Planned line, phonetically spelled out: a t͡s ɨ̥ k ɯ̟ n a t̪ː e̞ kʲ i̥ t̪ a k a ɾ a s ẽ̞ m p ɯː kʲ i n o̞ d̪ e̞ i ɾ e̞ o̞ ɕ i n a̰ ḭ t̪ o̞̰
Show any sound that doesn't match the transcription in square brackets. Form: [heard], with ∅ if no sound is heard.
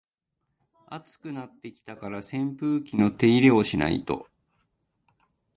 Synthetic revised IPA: a t͡s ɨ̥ k ɯ̟ n a t̪ː e̞ kʲ i̥ t̪ a k a ɾ a s ẽ̞ m p ɯː kʲ i n o̞ [t̪] e̞ i ɾ e̞ o̞ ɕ i n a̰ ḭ t̪ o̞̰